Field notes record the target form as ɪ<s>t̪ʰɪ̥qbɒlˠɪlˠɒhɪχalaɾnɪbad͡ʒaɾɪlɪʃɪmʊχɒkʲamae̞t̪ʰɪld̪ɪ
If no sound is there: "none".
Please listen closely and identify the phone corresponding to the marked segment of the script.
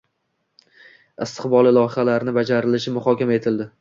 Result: s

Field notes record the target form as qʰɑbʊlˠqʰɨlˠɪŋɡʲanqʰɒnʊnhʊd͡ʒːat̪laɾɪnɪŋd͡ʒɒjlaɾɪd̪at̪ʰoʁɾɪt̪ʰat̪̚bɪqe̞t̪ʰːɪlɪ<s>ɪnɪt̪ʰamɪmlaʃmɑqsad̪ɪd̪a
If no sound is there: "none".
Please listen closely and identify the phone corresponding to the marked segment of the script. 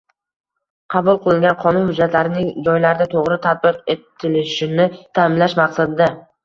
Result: ʃ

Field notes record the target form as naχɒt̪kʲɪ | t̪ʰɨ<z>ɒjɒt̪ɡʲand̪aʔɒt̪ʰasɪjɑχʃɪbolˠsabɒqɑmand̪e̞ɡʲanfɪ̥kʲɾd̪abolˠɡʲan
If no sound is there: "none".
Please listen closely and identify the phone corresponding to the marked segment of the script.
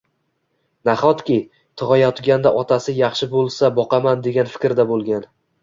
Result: ʁ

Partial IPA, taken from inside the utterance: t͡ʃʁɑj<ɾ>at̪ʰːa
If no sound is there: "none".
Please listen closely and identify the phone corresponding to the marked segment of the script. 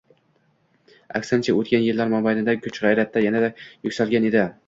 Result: ɾ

